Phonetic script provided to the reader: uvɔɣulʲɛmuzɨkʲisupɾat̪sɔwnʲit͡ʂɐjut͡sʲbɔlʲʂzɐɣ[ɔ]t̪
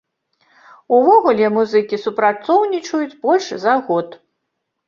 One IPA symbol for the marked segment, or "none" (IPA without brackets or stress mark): ɔ